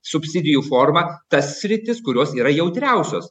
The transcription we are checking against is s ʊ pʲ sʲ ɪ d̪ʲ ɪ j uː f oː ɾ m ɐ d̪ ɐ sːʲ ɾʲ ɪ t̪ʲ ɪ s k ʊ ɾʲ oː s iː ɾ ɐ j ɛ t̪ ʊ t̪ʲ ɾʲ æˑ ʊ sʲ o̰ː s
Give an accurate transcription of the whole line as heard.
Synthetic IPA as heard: s ʊ pʲ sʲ ɪ d̪ʲ ɪ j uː f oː ɾ m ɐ t̪ ɐ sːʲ ɾʲ ɪ t̪ʲ ɪ s k ʊ ɾʲ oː s iː ɾ ɐ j ɛ ʊ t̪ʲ ɾʲ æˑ ʊ sʲ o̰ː s